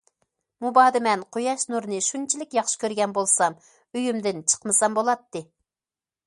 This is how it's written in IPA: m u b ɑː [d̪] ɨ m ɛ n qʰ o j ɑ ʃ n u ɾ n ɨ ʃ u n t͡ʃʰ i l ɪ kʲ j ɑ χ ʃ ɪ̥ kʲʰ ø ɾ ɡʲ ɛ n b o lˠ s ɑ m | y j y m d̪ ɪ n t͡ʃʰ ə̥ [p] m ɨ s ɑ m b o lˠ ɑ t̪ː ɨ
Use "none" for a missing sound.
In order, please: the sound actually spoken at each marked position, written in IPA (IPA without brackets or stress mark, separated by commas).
d̪, q